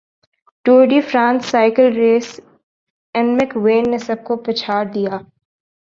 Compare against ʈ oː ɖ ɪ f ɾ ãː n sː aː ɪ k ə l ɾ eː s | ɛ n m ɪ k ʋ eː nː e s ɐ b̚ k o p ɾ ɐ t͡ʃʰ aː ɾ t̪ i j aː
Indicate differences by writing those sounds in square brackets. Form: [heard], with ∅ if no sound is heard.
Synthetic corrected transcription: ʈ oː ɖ [i] f ɾ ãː n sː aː ɪ k ə l ɾ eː s | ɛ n m ɪ k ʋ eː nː e s ɐ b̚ k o p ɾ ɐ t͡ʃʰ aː ɾ [d̪] i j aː